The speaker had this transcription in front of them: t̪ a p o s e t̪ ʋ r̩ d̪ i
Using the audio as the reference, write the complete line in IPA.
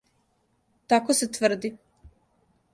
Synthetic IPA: t̪ a k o s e t̪ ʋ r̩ d̪ i